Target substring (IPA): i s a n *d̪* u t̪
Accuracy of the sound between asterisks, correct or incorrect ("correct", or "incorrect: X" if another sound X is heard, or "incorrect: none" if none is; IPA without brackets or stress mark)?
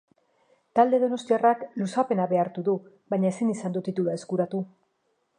correct